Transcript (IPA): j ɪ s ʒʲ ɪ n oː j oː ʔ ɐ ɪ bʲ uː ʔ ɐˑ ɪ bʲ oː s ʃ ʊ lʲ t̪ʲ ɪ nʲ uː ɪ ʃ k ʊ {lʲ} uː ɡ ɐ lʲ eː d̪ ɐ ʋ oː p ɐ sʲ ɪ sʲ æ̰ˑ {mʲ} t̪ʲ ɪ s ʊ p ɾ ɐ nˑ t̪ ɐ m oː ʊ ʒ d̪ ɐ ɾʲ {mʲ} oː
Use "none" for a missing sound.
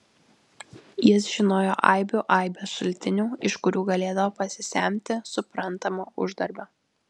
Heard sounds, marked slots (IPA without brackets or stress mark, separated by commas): ɾʲ, mʲ, bʲ